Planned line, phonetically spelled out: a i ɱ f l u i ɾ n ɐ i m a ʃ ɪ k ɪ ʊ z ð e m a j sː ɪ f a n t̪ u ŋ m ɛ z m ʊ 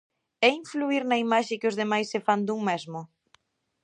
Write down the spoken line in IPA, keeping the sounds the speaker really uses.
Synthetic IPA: ɛ i ɱ f l u i ɾ n ɐ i m a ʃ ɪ k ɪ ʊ z ð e m a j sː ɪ f a n d̪ u ŋ m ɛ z m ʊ